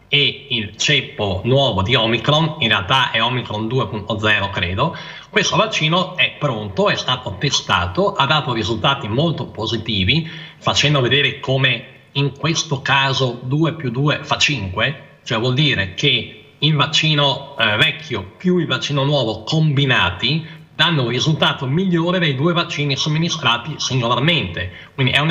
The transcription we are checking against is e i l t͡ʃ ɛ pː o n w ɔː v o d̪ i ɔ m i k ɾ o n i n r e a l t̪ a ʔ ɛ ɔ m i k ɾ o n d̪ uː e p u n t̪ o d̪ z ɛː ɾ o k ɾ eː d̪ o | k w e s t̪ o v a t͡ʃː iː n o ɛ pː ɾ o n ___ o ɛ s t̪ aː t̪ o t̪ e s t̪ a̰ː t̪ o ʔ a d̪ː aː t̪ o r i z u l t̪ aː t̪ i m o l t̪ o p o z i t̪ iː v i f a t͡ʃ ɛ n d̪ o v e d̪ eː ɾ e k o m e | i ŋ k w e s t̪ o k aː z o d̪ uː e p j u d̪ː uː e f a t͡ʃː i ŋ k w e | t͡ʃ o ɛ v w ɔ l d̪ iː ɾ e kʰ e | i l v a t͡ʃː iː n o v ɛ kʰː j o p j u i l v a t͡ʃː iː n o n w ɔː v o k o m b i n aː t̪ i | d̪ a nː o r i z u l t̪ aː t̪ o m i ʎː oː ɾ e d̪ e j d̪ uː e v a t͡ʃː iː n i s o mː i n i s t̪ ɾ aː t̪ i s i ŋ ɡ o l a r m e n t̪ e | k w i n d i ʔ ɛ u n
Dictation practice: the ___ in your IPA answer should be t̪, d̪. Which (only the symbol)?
t̪